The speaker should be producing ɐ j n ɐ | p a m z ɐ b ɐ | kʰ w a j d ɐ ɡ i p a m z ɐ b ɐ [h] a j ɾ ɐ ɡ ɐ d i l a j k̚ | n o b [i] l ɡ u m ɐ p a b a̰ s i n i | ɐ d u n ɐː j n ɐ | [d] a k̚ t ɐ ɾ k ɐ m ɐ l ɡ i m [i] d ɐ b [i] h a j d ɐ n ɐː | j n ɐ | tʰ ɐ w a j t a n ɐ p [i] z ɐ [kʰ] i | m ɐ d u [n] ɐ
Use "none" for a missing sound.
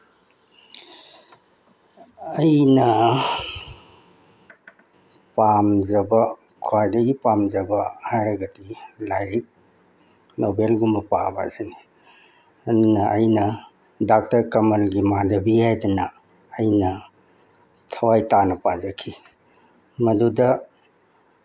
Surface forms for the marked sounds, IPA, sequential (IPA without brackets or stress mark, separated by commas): h, e, d, a, i, a, kʰ, d